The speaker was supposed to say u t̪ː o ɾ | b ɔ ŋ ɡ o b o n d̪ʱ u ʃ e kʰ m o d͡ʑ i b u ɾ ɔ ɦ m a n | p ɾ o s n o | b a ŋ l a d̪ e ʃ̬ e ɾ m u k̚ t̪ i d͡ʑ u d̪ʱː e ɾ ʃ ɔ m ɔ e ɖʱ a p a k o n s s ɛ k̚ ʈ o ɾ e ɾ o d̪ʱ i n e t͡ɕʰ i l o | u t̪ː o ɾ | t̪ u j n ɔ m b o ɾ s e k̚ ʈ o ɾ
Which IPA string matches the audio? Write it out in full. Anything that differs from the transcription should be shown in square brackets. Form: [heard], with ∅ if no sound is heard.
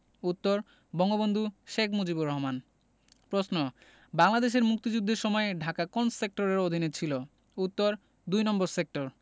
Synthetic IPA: u t̪ː o ɾ | b ɔ ŋ ɡ o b o n d̪ʱ u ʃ e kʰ m o d͡ʑ i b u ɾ ɔ ɦ m a n | p ɾ o s n o | b a ŋ l a d̪ e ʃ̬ e ɾ m u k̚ t̪ i d͡ʑ u d̪ʱː e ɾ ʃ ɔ m ɔ e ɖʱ a [k] a k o n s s [e] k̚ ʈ o ɾ e ɾ o d̪ʱ i n e t͡ɕʰ i l o | u t̪ː o ɾ | [d̪] u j n ɔ m b o ɾ s e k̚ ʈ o ɾ